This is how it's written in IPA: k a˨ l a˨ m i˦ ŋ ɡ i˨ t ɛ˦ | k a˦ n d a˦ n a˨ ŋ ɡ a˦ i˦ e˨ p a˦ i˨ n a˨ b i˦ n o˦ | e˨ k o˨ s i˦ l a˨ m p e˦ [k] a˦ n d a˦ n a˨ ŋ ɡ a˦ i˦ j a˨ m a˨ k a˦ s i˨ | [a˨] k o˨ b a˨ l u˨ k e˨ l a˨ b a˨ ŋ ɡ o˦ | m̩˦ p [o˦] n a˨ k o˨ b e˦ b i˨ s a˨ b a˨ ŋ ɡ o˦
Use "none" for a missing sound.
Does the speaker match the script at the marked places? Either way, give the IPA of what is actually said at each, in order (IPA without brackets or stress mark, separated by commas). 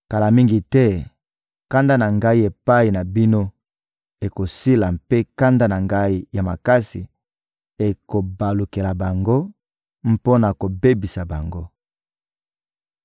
k, e˨, o˦